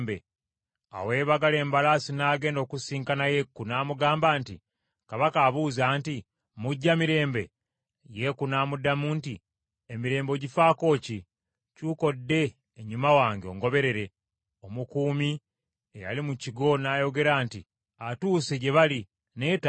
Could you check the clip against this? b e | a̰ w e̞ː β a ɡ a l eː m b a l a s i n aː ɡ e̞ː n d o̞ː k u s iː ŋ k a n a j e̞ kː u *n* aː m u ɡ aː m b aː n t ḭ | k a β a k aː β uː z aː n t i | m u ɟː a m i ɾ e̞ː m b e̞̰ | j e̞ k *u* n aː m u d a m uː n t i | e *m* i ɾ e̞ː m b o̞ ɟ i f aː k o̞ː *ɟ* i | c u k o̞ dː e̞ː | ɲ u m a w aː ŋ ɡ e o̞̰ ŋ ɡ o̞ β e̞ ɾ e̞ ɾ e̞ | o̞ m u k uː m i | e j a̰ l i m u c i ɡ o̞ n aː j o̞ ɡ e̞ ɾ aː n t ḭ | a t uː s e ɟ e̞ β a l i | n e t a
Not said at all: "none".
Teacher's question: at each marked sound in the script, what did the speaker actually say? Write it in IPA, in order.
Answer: n, u, m, c

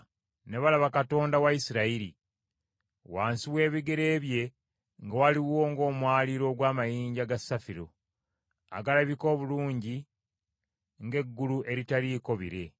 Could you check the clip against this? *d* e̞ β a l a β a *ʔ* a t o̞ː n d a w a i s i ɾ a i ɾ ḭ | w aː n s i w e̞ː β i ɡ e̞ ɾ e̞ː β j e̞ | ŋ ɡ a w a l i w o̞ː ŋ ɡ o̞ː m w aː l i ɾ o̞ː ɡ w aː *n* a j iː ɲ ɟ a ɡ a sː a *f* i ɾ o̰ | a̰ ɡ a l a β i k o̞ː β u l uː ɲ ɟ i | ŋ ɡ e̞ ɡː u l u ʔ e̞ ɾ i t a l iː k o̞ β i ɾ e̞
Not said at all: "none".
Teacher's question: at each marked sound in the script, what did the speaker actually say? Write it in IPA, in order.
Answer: n, k, m, f

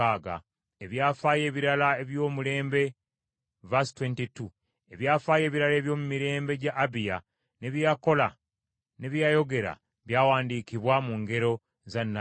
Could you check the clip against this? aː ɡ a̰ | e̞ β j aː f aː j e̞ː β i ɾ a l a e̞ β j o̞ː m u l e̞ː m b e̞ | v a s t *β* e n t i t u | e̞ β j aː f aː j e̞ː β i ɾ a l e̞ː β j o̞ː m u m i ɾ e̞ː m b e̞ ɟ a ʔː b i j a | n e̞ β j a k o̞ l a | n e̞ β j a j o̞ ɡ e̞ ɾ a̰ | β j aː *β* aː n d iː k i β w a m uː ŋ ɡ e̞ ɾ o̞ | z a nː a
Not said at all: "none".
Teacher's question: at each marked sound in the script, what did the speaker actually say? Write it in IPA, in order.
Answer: w, w

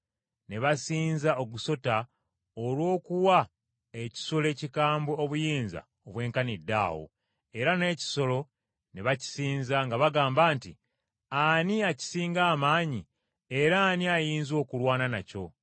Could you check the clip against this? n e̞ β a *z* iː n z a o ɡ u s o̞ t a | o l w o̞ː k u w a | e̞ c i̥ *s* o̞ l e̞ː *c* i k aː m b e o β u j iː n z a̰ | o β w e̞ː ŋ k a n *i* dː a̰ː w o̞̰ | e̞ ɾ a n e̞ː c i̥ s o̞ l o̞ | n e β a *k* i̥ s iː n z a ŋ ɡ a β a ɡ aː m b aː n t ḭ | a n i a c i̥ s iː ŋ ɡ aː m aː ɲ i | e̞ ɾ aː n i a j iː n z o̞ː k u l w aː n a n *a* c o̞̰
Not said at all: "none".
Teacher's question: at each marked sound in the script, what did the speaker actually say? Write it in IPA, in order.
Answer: s, s, c, i, c, a

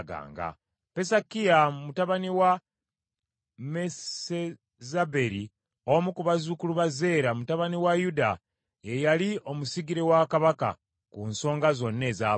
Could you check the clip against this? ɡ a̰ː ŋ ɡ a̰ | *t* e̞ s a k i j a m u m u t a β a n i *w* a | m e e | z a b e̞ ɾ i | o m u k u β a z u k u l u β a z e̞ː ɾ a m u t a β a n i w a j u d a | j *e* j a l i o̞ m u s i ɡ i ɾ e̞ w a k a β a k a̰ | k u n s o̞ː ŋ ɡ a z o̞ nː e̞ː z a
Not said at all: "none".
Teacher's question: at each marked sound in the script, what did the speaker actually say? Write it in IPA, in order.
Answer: p, w, e

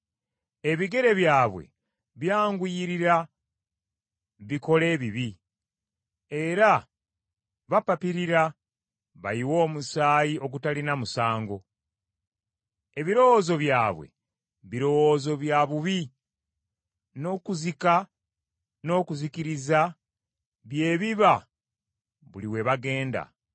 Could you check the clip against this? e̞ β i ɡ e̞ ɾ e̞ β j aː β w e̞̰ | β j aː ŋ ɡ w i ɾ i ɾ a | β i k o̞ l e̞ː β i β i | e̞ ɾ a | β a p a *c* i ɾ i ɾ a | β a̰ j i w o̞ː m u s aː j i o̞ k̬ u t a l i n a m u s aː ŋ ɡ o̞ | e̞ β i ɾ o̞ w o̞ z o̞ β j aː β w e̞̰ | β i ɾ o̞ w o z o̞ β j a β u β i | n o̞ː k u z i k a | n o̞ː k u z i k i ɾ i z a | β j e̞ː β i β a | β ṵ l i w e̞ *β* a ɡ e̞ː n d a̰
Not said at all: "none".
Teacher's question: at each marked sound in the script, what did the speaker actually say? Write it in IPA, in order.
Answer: p, β

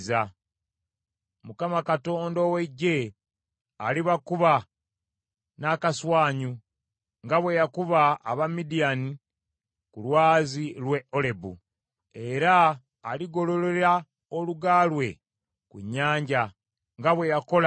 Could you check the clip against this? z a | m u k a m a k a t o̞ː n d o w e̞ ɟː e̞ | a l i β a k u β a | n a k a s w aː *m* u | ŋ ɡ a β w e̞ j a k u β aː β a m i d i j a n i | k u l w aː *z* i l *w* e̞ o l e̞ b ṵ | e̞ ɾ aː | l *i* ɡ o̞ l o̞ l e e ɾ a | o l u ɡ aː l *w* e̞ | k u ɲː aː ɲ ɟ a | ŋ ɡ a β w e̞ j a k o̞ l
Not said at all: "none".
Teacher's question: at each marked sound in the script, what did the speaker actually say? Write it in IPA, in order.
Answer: ɲ, z, w, i, w

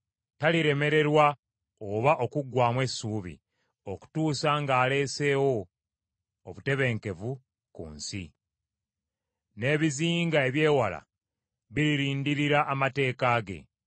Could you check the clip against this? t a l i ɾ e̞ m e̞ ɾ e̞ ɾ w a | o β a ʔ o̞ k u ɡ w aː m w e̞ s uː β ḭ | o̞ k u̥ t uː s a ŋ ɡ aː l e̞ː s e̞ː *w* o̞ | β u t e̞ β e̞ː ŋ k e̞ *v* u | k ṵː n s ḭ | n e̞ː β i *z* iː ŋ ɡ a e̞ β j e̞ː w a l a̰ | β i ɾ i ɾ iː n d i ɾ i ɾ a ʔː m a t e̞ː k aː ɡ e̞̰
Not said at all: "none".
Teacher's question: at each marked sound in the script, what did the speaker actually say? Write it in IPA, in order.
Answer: w, v, z

